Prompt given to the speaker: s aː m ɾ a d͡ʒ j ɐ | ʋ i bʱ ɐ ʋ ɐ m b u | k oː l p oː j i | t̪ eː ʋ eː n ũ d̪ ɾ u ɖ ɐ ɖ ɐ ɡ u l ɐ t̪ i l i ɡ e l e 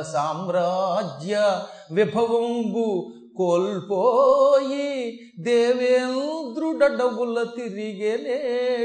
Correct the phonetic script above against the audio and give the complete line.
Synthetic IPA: s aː m ɾ a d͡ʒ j ɐ | ʋ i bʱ ɐ ʋ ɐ m b u | k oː l p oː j i | d̪ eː ʋ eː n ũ d̪ ɾ u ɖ ɐ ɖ ɐ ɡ u l ɐ t̪ i ɾ i ɡ e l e